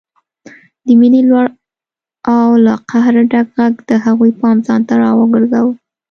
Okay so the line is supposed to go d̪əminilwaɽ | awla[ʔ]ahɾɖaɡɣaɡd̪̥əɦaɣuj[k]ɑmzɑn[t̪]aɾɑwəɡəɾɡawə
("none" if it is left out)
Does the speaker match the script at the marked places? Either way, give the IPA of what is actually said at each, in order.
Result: q, p, t̪

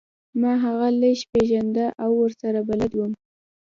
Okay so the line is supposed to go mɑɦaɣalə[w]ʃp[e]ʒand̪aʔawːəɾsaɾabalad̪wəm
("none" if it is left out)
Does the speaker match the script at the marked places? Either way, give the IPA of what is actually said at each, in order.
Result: none, e

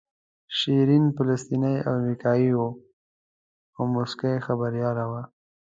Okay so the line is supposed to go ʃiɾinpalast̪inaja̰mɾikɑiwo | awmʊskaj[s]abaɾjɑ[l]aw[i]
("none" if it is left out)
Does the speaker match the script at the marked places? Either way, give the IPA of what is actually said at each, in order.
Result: x, l, a

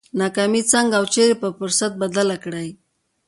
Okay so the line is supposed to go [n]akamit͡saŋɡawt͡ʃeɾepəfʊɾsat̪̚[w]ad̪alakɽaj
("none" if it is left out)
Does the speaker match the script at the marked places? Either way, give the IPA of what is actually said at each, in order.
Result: n, b

